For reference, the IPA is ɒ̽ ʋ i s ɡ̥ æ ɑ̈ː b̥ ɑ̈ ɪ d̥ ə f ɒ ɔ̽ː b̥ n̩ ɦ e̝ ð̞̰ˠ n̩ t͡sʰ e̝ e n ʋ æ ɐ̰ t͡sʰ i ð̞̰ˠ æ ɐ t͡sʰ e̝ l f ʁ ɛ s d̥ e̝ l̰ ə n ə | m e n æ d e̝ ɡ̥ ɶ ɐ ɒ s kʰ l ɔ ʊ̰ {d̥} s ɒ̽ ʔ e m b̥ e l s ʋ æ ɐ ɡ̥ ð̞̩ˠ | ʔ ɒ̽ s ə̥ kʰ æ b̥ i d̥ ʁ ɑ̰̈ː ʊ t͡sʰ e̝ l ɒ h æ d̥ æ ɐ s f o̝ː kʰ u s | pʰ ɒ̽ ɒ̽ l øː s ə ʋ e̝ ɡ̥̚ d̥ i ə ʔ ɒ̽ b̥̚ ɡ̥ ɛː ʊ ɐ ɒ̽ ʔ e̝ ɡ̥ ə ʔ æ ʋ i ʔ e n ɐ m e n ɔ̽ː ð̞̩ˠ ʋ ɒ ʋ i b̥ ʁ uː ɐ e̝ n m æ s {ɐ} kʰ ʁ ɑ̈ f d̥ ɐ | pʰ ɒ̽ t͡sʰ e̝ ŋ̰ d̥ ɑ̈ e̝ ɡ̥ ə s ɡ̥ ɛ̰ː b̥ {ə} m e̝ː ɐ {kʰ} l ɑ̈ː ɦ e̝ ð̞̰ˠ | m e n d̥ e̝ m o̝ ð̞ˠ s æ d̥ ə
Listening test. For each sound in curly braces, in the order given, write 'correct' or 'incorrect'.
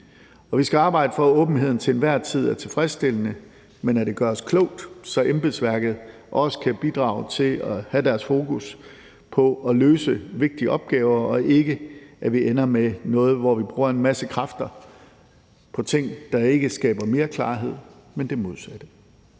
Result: correct, incorrect: ə, incorrect: ɐ, correct

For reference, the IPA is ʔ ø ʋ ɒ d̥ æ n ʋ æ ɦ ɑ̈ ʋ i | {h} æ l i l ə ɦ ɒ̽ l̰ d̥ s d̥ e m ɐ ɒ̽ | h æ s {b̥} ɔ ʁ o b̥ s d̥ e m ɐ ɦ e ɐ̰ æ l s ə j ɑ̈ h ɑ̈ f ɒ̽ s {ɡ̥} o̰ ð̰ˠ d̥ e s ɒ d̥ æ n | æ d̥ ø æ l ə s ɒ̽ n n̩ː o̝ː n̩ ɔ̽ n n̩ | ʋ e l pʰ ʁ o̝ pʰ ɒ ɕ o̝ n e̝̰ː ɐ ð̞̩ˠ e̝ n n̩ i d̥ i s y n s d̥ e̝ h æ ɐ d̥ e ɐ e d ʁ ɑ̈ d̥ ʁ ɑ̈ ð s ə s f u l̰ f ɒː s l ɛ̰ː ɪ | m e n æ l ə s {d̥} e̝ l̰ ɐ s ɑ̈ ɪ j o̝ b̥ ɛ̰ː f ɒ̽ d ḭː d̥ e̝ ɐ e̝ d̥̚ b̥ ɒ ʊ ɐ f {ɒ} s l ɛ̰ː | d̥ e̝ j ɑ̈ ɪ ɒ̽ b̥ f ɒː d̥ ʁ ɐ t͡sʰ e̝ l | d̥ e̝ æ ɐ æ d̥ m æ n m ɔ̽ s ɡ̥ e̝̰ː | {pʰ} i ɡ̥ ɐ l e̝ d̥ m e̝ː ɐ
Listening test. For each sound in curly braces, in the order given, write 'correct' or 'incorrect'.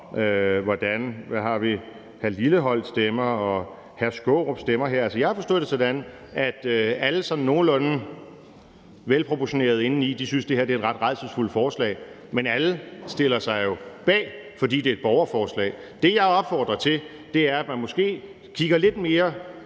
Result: correct, incorrect: ɡ̥, incorrect: d̥, correct, incorrect: ɒː, incorrect: kʰ

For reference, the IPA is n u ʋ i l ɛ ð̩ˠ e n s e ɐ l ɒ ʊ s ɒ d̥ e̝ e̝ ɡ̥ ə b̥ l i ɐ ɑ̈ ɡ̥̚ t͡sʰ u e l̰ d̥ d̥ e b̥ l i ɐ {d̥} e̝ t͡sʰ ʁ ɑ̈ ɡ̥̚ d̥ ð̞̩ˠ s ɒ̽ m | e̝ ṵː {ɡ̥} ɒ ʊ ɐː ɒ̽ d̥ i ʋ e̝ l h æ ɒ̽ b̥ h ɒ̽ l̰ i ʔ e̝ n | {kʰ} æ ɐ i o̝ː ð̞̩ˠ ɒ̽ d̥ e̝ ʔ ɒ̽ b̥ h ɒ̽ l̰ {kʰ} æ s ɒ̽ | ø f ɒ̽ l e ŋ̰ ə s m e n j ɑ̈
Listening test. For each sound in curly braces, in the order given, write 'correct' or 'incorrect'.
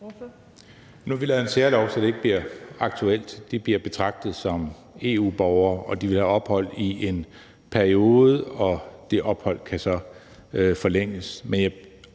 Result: incorrect: b̥, incorrect: b̥, incorrect: pʰ, correct

